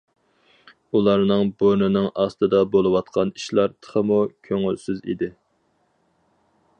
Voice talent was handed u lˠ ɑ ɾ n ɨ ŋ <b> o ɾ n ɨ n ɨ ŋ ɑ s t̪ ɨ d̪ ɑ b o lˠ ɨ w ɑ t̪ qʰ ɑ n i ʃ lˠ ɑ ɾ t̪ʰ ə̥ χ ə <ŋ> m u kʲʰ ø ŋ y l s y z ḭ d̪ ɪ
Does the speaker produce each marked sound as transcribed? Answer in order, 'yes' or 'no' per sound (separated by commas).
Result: yes, no